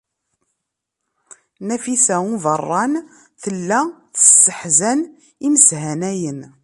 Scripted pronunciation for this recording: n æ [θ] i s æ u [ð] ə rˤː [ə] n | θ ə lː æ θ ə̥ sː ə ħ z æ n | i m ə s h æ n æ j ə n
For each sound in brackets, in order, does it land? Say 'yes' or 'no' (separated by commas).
no, no, no